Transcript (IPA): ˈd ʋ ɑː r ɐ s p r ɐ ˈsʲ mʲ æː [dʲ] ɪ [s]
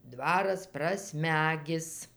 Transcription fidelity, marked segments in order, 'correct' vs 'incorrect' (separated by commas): incorrect, correct